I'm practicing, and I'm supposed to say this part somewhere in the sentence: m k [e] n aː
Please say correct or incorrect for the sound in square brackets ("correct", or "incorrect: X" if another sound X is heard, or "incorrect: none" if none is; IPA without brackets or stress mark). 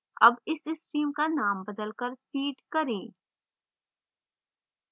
incorrect: a